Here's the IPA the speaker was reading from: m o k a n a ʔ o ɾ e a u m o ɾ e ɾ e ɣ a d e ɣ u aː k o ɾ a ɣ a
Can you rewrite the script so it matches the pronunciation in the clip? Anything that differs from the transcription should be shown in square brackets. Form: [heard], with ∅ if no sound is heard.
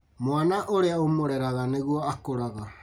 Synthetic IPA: m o [∅] a n a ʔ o ɾ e a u m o ɾ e ɾ [a] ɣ a [n] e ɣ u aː k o ɾ a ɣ a